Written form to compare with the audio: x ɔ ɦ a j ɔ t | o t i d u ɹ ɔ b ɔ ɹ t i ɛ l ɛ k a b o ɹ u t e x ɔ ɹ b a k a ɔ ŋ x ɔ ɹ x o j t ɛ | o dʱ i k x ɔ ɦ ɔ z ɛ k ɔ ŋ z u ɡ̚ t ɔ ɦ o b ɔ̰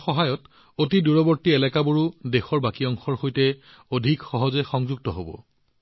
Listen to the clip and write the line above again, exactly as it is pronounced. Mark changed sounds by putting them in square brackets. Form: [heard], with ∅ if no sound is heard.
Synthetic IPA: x ɔ ɦ a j ɔ t | o t i d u ɹ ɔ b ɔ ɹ t i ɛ l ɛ k a b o ɹ u [d] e x ɔ ɹ b a k [i] ɔ ŋ x ɔ ɹ x o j t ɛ | o dʱ i k x ɔ ɦ ɔ z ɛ [x] ɔ ŋ z u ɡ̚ t ɔ ɦ o b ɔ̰